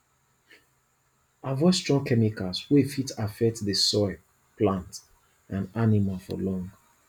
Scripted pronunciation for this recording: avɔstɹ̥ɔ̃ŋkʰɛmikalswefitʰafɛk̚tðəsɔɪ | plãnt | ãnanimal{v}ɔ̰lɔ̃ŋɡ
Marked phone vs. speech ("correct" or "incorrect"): incorrect